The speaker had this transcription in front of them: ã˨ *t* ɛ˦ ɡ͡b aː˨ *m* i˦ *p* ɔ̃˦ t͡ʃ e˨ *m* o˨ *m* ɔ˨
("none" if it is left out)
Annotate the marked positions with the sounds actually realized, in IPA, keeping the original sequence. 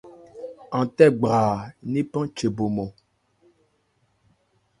t, n, p, b, m

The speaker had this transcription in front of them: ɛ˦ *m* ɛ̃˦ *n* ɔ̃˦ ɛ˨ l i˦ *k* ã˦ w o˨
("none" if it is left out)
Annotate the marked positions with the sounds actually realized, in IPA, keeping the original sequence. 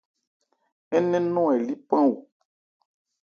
n, n, p

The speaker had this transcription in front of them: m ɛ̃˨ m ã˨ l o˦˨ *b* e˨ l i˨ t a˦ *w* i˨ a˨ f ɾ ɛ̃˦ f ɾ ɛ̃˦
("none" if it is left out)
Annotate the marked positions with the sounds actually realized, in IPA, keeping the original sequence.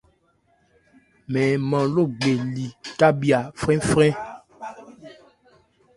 ɡ͡b, b

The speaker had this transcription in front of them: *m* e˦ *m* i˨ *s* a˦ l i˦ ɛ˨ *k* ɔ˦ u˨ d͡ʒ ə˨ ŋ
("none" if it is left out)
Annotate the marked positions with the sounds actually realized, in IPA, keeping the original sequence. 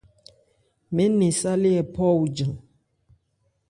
m, n, s, p

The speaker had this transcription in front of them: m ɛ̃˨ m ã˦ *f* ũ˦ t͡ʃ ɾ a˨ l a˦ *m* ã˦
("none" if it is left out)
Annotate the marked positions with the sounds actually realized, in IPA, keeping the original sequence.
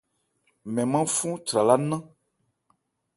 f, n

